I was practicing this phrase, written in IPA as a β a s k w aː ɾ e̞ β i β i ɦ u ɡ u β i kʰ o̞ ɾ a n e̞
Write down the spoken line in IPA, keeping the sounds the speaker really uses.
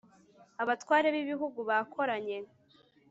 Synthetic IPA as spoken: a β a t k w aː ɾ e̞ β i β i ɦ u ɡ u β a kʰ o̞ ɾ a ɲ e̞